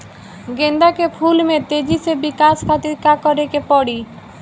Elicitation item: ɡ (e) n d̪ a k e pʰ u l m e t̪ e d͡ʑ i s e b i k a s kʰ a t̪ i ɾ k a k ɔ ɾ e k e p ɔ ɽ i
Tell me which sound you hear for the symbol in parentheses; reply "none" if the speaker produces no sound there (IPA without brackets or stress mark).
e